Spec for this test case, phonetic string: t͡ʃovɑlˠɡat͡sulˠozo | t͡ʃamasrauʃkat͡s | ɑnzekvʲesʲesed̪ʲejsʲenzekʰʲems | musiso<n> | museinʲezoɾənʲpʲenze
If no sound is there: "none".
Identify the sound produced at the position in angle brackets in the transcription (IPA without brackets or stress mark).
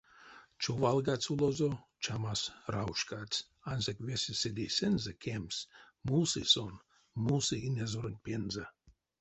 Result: n